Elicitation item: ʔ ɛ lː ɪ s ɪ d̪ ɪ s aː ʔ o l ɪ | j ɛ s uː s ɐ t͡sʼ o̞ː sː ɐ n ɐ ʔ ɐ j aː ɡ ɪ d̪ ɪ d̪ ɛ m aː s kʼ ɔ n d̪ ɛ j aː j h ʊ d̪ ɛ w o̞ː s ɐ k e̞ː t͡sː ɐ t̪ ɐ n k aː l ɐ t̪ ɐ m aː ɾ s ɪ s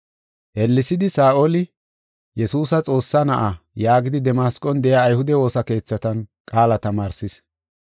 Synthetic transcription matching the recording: ʔ ɛ lː ɪ s ɪ d̪ ɪ s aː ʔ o l ɪ | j ɛ s uː s ɐ t͡sʼ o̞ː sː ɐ n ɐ ʔ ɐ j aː ɡ ɪ d̪ ɪ d̪ ɛ m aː s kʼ ɔ n d̪ ɛ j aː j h ʊ d̪ ɛ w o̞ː s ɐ k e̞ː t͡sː ɐ t̪ ɐ n kʼ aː l ɐ t̪ ɐ m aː ɾ s ɪ s